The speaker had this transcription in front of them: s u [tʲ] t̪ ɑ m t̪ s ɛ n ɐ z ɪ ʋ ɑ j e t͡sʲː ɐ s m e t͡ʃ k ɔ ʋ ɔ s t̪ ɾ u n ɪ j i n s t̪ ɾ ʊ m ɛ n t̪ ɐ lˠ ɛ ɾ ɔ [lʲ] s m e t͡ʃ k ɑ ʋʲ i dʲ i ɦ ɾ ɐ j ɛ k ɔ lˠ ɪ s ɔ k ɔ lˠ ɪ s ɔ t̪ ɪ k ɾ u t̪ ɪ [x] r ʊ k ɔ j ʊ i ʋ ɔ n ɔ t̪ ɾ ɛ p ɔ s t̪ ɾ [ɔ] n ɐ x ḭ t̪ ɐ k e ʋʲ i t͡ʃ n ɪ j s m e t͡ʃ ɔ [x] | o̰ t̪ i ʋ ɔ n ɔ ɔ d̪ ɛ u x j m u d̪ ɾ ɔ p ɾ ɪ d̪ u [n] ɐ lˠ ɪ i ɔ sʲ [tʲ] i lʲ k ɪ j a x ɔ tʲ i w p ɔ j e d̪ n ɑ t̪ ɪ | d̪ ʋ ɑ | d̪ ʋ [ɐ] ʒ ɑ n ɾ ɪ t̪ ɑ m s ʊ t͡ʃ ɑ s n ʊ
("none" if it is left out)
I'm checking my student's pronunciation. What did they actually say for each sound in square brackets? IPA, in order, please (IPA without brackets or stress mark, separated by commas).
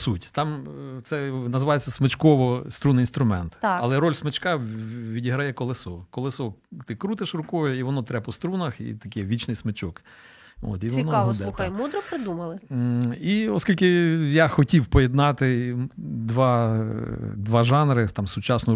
tʲ, lʲ, ʃ, u, k, m, kʲ, ɑ